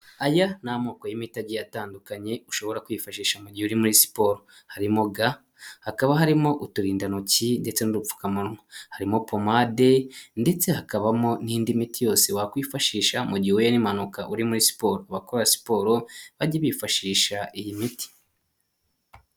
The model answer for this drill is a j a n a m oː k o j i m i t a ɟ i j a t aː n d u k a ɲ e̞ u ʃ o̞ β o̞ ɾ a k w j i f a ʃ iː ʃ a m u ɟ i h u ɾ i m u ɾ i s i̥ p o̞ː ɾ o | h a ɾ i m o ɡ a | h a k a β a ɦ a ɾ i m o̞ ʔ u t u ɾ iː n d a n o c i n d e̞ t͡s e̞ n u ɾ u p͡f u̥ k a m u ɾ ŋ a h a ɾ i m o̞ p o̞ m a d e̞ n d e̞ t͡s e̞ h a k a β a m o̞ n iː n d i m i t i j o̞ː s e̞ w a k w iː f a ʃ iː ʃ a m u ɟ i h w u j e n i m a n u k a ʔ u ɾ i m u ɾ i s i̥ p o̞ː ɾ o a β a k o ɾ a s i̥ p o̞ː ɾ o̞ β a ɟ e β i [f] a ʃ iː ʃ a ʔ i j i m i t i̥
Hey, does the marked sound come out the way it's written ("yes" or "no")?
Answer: yes